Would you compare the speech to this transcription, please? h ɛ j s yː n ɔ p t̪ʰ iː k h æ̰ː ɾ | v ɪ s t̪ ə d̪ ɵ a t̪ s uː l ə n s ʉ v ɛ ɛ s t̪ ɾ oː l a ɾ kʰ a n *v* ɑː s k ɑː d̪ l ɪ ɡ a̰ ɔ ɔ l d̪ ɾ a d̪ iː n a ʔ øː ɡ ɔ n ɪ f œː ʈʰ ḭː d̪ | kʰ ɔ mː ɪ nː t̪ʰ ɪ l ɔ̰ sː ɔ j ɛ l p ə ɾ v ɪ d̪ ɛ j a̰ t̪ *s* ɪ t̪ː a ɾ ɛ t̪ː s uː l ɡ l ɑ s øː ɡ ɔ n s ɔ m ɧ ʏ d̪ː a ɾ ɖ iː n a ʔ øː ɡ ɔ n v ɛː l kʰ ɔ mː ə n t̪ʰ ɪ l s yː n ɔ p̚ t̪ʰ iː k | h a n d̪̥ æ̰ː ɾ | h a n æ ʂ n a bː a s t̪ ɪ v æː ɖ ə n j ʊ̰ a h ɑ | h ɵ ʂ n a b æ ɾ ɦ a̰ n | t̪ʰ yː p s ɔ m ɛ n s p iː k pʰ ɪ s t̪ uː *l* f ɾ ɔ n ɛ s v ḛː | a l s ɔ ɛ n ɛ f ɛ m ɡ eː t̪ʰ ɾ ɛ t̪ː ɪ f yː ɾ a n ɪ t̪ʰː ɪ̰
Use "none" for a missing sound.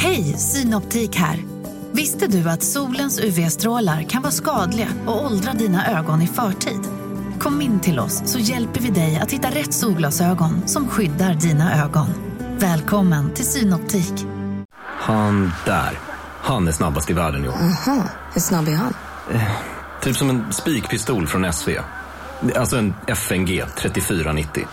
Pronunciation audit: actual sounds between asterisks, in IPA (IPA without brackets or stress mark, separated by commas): v, h, l